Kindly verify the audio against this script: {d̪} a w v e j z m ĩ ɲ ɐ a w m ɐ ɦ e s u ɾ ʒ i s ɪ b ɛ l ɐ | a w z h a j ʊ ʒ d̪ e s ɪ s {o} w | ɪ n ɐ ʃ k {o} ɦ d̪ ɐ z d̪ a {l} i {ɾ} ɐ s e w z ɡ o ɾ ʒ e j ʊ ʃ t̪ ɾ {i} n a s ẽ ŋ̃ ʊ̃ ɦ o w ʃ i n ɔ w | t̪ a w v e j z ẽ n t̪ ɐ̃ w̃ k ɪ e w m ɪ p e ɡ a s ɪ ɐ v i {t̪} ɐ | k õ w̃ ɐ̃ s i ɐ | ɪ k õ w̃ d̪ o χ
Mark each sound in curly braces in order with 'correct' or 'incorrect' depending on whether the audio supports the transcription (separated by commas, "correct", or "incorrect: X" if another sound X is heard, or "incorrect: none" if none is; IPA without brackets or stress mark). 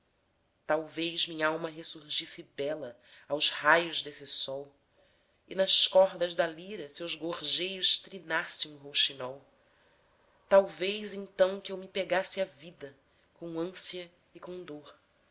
incorrect: t̪, incorrect: ɔ, incorrect: ɔ, correct, correct, correct, incorrect: d̪